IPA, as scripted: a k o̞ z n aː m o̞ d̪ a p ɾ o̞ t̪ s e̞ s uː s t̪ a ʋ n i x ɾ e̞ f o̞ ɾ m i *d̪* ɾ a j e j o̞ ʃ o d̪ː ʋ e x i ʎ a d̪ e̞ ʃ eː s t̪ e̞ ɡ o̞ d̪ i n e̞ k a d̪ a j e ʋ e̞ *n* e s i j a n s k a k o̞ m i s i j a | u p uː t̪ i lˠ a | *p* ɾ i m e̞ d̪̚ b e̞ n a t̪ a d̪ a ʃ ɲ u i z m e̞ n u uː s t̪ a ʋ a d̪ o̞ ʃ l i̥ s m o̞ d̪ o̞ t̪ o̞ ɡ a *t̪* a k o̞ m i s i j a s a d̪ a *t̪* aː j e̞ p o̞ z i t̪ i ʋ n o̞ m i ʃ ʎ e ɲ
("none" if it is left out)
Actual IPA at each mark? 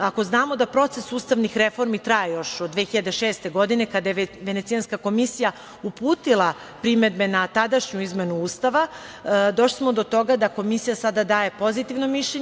t̪, n, p, d̪, d̪

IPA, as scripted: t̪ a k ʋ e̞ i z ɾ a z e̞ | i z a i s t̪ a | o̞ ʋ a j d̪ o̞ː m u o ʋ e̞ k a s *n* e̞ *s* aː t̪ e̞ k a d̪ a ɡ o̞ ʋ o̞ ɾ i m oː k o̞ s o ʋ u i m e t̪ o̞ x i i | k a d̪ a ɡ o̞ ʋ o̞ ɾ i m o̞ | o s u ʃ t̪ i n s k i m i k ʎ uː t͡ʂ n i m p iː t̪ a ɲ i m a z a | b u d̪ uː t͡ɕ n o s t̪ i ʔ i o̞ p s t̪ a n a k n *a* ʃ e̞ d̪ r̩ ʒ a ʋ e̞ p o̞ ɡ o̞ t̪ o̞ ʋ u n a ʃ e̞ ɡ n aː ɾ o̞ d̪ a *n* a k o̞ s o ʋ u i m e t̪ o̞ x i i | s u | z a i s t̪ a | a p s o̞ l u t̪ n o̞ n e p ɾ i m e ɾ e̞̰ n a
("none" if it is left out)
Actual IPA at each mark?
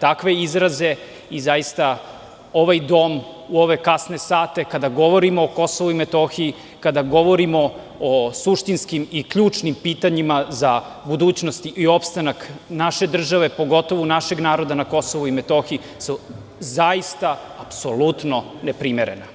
n, s, a, n

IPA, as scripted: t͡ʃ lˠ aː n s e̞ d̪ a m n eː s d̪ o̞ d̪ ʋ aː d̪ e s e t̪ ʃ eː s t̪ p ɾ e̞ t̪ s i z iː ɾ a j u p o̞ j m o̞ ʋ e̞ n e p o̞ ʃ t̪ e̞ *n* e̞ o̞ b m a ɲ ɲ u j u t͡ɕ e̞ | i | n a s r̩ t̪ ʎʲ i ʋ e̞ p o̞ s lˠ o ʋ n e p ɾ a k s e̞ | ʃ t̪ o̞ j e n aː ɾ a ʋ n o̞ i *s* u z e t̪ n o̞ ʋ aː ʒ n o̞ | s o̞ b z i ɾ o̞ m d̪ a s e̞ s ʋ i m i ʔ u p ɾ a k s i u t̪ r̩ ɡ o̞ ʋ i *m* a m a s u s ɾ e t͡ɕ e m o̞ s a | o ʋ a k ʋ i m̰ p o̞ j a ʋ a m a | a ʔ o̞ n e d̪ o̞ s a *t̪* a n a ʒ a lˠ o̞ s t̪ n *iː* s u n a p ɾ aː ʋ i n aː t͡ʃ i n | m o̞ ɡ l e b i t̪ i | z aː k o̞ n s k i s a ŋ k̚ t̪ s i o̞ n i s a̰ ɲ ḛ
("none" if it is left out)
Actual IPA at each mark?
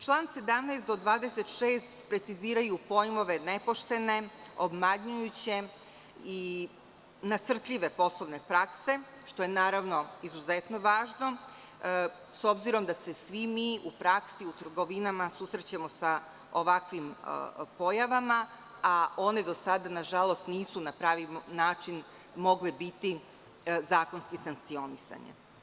n, z, n, d̪, iː

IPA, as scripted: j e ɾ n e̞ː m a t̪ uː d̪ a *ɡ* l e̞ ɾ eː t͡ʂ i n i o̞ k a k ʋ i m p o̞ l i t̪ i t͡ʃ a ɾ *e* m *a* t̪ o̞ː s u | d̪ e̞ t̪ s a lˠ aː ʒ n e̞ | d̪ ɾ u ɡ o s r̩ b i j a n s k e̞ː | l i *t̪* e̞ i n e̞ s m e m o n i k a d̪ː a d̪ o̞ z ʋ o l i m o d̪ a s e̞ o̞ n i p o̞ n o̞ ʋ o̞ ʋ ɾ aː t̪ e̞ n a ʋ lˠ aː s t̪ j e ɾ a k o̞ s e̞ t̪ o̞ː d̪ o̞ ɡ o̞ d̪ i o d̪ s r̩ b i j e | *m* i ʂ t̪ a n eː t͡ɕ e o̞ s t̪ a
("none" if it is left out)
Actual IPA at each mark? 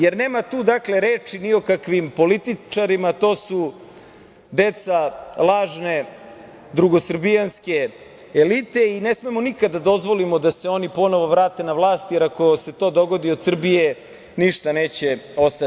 k, i, a, t̪, n

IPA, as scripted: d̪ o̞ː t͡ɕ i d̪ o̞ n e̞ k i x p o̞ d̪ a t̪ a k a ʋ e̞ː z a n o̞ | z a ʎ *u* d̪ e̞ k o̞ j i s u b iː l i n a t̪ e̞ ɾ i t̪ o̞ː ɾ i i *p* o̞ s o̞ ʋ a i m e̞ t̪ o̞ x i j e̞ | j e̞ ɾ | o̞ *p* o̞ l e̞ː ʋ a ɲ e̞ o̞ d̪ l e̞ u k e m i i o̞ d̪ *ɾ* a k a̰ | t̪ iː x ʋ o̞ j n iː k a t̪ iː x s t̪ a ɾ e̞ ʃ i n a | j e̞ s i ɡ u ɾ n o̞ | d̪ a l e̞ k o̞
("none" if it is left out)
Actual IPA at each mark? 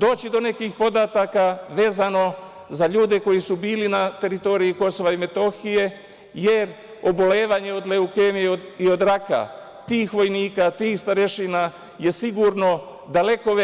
uː, k, b, ɾ

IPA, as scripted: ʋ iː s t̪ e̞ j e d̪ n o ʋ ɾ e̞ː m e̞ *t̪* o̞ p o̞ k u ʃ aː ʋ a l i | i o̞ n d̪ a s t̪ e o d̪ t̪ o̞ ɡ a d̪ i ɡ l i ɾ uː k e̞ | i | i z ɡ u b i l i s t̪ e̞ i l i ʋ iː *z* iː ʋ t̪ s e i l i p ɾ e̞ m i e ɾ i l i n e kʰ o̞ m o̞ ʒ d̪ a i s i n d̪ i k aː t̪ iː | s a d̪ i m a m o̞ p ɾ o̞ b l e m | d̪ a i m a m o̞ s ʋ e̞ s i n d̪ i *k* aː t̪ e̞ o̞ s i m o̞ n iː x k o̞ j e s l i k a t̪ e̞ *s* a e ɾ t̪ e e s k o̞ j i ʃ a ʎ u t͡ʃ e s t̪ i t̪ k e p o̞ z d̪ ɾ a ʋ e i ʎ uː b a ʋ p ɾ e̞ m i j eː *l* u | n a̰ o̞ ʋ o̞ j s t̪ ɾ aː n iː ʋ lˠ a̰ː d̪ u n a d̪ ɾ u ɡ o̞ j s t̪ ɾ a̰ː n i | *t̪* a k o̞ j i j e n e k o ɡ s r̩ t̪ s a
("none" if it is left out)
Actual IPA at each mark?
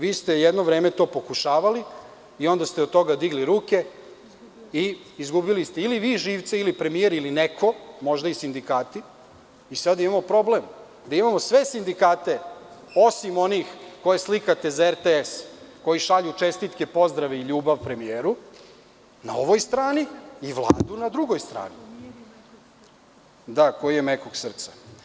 t̪, ʒ, k, z, ɾ, d̪

